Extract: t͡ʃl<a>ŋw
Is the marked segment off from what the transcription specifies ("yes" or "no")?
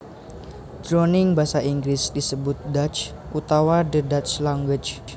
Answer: no